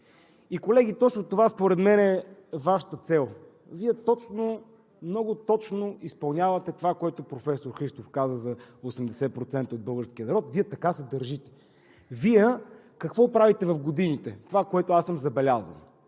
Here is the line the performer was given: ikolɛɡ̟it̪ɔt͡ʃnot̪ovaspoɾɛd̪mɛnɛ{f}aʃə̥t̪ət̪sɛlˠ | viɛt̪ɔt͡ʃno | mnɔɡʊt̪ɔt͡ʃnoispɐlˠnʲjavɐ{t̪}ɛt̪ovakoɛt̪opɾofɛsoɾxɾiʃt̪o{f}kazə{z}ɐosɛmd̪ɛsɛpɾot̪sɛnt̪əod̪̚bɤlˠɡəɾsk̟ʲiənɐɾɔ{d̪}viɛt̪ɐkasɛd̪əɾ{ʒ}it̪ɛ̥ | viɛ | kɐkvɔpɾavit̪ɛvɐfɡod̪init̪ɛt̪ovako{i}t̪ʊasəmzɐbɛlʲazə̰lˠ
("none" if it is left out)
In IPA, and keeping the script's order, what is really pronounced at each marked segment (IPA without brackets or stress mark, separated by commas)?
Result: v, t̪, f, z, t̪, ʒ, ɛ